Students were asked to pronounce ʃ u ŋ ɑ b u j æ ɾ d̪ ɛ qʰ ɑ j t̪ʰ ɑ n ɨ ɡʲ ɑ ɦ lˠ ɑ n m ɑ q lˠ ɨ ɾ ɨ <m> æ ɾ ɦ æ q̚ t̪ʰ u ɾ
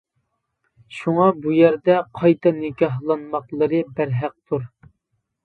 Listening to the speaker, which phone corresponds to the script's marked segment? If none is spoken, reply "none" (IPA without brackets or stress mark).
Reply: b